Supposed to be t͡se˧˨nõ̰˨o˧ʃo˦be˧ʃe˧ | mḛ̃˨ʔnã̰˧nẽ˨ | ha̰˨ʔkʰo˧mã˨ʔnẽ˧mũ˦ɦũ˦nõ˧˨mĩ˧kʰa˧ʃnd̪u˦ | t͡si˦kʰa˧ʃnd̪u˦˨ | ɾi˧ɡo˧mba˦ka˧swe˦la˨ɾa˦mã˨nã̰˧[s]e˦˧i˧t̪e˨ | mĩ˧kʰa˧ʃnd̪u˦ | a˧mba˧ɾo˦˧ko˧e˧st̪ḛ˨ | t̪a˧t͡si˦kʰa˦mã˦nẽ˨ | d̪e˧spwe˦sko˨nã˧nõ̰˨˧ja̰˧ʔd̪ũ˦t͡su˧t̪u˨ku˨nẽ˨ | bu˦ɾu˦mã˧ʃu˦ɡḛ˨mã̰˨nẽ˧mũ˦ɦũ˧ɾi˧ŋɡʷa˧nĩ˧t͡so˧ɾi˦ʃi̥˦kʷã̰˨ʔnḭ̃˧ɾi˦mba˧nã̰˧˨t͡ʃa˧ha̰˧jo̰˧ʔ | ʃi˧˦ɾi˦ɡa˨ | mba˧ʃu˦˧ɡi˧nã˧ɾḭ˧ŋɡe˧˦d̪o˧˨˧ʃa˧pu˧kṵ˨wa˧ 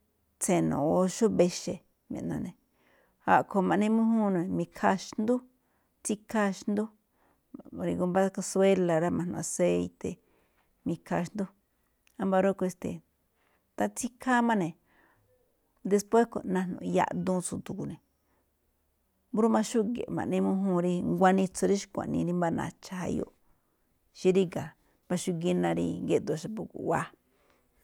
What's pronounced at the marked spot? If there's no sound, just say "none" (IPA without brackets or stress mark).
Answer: s